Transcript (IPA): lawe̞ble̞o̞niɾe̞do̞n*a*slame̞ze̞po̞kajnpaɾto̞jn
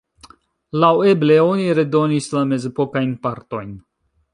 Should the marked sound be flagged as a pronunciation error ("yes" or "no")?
yes